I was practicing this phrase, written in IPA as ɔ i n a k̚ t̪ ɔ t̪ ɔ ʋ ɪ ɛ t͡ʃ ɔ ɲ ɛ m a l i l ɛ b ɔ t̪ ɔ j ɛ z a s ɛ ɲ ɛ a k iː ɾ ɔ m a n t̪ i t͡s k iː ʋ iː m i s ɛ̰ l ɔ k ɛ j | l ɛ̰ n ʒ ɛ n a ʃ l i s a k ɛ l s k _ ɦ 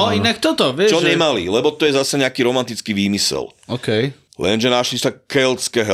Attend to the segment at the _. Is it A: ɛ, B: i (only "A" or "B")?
A